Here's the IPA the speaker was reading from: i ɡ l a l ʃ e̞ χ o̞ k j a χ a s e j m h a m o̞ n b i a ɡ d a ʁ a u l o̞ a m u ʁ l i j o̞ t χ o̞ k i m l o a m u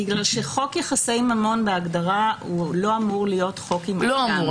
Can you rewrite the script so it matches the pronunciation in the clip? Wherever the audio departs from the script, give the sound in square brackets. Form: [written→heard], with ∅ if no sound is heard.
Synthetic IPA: i ɡ l a l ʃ e̞ χ o̞ k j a χ a s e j m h a m o̞ n b [i→e] a ɡ d a ʁ a u l o̞ a m u ʁ l i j o̞ t χ o̞ k i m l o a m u